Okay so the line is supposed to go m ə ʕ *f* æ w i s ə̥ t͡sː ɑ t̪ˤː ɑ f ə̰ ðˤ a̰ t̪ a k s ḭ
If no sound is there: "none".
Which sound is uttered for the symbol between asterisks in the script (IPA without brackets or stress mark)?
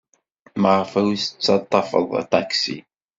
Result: f